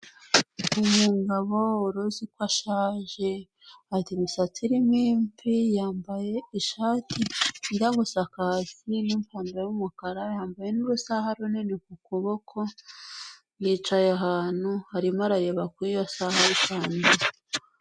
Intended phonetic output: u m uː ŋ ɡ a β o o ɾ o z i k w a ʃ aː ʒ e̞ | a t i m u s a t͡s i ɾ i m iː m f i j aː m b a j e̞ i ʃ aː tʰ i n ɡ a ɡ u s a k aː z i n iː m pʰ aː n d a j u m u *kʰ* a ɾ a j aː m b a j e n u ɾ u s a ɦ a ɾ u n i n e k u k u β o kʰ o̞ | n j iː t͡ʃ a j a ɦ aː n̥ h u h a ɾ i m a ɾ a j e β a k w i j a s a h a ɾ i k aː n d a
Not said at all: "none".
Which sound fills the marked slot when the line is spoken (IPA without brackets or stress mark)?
k